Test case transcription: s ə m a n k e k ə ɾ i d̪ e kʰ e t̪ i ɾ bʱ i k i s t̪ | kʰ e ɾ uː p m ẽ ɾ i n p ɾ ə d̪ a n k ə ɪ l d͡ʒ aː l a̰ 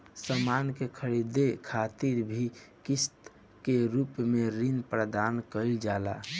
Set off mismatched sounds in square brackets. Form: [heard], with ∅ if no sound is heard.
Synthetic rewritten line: s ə m a n k e [kʰ] ə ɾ i d̪ e kʰ [a] t̪ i ɾ bʱ i k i s t̪ | [k] e ɾ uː p m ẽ ɾ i n p ɾ ə d̪ a n k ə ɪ l d͡ʒ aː l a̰